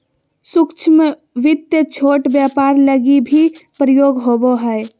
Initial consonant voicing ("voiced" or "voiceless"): voiceless